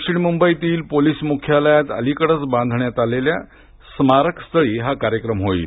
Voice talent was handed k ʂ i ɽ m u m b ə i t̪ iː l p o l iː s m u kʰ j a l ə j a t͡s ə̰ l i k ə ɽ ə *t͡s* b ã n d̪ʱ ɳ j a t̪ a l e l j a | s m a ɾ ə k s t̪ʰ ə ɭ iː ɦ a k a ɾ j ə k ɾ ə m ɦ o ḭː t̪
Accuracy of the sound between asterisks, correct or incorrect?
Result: correct